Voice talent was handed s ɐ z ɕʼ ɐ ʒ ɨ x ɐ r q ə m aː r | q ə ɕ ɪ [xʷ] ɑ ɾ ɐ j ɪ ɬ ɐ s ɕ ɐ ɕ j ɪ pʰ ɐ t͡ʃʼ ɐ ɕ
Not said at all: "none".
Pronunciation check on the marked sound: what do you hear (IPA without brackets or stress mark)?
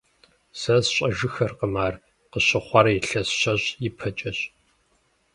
χʷ